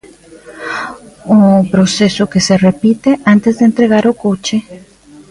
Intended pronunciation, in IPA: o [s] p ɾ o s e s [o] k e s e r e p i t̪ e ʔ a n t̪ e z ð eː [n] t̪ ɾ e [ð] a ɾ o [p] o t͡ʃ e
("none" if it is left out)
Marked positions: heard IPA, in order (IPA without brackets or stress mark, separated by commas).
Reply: none, o, n, ɣ, k